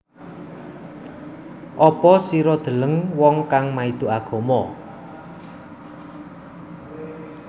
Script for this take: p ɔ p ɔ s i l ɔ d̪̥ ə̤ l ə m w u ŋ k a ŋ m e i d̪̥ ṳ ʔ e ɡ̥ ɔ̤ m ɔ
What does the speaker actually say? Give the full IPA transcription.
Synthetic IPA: ʔ ɔ p ɔ s i ɾ ɔ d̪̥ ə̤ l ə ŋ w ɔ ŋ k a ŋ m a i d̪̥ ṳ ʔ a ɡ̥ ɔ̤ m ɔ